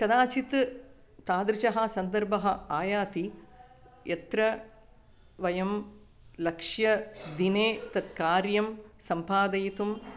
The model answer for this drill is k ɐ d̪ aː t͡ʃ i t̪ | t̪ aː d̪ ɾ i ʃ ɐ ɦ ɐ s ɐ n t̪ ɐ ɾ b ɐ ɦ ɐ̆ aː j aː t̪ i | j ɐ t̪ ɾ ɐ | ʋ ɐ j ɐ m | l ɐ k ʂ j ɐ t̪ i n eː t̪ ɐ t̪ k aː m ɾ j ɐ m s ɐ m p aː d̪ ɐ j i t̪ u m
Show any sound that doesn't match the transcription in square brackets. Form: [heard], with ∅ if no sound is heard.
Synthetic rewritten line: k ɐ d̪ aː t͡ʃ i t̪ | t̪ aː d̪ ɾ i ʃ ɐ ɦ ɐ s ɐ n [d̪] ɐ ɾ b ɐ ɦ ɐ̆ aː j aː t̪ i | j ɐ t̪ ɾ ɐ | ʋ ɐ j ɐ m | l ɐ k ʂ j ɐ [d̪] i n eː t̪ ɐ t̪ k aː [∅] ɾ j ɐ m s ɐ m p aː d̪ ɐ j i t̪ u m

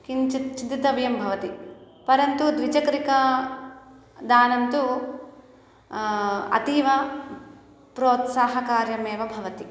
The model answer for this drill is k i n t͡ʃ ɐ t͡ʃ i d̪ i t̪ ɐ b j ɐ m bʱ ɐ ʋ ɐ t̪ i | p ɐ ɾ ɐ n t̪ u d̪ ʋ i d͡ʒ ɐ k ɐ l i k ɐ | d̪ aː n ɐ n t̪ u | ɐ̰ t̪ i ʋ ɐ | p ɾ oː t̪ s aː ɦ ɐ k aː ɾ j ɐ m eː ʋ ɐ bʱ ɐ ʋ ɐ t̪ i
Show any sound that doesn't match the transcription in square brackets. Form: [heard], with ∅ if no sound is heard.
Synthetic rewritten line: k i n t͡ʃ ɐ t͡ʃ i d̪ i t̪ ɐ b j ɐ m bʱ ɐ ʋ ɐ t̪ i | p ɐ ɾ ɐ n t̪ u d̪ ʋ i d͡ʒ ɐ k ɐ [ɾ] i k ɐ | d̪ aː n ɐ n t̪ u | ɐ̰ t̪ i ʋ ɐ | p ɾ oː t̪ s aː ɦ ɐ k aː ɾ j ɐ m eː ʋ ɐ bʱ ɐ ʋ ɐ t̪ i

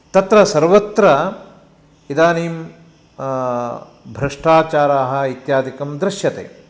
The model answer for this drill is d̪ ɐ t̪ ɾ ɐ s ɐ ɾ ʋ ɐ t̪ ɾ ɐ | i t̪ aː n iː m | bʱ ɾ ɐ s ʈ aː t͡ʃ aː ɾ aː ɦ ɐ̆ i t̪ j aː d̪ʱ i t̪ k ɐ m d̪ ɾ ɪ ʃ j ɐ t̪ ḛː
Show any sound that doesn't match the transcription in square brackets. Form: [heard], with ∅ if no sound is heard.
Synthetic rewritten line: [t̪] ɐ t̪ ɾ ɐ s ɐ ɾ ʋ ɐ t̪ ɾ ɐ | i [d̪] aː n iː m | bʱ ɾ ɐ [ʂ] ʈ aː t͡ʃ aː ɾ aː ɦ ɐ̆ i t̪ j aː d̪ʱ i [∅] k ɐ m d̪ ɾ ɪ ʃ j ɐ t̪ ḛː

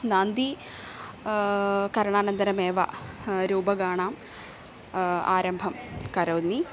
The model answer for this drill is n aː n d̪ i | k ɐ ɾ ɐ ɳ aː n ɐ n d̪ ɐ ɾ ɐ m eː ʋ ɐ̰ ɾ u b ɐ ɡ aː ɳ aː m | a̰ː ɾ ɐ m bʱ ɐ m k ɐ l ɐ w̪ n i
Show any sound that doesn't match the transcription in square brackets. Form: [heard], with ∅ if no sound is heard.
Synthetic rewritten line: n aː n d̪ i | k ɐ ɾ ɐ ɳ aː n ɐ n d̪ ɐ ɾ ɐ m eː ʋ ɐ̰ ɾ [uː] b ɐ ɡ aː ɳ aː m | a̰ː ɾ ɐ m bʱ ɐ m k ɐ [ɾ] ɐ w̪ n i

